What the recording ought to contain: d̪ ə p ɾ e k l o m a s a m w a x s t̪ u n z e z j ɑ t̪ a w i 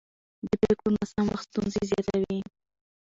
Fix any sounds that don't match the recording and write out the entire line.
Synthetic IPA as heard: d̪ ə p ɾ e k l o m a s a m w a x s t̪ u n z e z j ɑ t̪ a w i